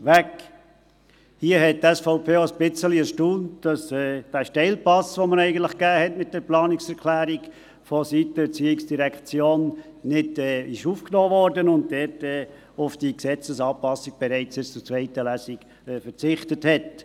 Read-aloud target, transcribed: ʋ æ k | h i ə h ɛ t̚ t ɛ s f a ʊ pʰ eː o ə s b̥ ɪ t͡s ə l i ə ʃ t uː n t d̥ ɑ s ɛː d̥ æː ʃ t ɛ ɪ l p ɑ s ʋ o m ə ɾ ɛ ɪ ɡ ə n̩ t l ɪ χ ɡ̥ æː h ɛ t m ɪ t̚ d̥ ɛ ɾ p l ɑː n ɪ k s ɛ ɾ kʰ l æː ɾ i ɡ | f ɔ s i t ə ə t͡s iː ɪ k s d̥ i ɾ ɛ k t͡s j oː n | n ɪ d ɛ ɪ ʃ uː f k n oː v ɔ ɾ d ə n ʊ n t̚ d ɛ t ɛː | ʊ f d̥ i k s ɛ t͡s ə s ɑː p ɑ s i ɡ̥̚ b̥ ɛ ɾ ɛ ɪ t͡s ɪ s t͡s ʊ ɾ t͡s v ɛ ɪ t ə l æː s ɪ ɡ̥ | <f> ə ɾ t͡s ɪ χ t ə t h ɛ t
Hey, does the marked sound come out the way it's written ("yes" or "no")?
yes